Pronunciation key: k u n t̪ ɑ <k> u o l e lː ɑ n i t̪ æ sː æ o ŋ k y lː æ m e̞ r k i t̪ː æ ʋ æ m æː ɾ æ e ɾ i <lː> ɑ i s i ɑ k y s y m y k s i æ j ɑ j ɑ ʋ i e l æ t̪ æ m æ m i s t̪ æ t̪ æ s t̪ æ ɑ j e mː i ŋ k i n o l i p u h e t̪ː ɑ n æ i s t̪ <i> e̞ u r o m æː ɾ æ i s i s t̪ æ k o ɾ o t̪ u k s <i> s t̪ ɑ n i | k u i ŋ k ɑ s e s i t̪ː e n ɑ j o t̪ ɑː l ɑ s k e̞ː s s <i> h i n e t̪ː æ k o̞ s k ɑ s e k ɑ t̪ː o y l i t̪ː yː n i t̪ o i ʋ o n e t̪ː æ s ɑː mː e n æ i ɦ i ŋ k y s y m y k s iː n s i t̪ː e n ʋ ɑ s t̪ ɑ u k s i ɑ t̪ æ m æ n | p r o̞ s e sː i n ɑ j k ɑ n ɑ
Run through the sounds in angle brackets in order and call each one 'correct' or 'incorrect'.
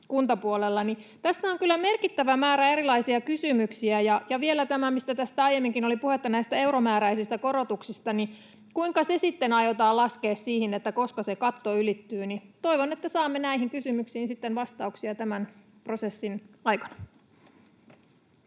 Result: incorrect: p, incorrect: l, incorrect: æ, correct, incorrect: iː

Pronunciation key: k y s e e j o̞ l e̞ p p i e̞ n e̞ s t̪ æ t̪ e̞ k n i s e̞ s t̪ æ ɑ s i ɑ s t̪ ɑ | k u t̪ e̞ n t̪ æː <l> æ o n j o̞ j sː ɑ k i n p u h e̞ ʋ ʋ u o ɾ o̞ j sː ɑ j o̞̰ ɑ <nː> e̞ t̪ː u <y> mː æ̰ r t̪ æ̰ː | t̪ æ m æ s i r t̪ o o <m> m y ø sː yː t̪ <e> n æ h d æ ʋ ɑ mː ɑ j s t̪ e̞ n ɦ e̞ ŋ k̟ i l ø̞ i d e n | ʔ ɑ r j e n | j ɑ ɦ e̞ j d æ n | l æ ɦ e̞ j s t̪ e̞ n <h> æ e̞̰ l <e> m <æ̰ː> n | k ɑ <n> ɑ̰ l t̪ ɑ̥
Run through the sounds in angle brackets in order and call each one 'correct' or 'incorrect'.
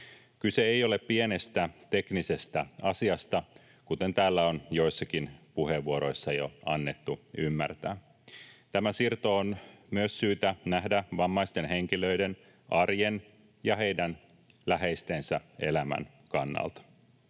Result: incorrect: lː, correct, correct, incorrect: n, incorrect: æ, incorrect: s, incorrect: æ, incorrect: æ̰, incorrect: nː

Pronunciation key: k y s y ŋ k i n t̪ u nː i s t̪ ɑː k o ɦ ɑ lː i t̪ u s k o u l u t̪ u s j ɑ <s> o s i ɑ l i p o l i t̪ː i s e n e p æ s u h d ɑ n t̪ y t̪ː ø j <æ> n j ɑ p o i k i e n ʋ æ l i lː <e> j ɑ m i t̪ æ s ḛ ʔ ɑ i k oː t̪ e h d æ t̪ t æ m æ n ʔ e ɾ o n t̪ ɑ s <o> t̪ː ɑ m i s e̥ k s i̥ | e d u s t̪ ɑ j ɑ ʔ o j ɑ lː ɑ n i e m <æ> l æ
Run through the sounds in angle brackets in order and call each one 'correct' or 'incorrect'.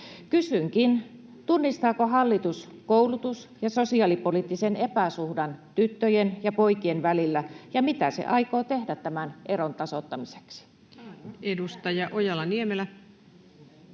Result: correct, incorrect: e, incorrect: æ, correct, incorrect: e

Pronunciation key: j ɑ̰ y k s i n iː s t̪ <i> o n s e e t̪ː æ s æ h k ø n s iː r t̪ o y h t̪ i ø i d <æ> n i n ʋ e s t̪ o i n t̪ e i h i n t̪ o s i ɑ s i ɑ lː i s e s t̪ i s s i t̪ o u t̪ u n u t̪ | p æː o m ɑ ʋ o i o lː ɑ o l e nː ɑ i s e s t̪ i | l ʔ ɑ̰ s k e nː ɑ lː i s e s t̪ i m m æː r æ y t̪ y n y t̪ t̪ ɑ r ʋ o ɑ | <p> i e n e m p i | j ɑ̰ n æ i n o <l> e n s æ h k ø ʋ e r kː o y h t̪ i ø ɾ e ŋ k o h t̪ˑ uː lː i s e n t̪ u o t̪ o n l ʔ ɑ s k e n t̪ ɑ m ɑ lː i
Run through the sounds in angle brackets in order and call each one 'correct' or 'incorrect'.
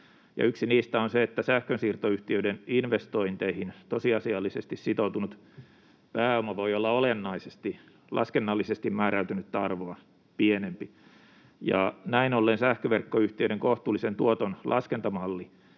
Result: incorrect: æ, incorrect: e, correct, incorrect: lː

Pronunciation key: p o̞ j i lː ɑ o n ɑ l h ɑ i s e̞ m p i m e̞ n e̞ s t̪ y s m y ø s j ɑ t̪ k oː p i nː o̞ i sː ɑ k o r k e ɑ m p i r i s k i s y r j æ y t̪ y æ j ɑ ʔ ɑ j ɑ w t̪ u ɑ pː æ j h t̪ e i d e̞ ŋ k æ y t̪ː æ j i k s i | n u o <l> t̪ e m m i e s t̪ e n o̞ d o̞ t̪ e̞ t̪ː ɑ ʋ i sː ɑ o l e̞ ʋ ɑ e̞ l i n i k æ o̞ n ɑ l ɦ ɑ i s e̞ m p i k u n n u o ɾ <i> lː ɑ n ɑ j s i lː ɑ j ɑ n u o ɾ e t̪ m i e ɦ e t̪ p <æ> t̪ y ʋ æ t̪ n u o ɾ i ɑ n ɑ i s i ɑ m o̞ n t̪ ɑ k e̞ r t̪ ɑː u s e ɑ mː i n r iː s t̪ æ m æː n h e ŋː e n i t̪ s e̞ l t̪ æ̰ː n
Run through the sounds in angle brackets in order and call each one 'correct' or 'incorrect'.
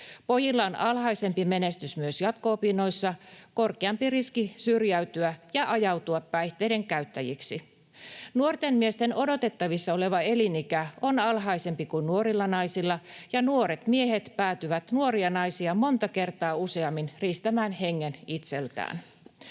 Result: incorrect: r, correct, incorrect: æː

